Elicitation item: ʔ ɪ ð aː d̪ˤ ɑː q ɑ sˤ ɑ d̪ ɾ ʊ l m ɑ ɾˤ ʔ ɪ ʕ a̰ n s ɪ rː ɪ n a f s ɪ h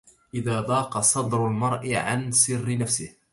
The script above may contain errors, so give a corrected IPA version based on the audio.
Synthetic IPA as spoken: ʔ ɪ ð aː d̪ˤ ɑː q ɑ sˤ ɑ d̪ ɾ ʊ l m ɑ ɾˤ ʔ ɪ ʕ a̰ n s ɪ rː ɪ n a f s ɪ h